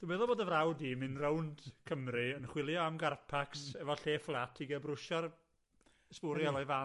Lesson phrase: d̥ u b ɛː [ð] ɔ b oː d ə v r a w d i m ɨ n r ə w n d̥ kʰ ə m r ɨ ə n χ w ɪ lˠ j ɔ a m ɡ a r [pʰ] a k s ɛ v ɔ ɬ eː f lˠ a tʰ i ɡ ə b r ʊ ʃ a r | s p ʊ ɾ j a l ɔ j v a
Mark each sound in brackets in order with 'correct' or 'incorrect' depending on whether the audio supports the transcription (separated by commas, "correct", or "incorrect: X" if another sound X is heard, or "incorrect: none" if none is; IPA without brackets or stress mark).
correct, correct